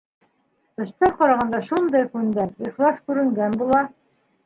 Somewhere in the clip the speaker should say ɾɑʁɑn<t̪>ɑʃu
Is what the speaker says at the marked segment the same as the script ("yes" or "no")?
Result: no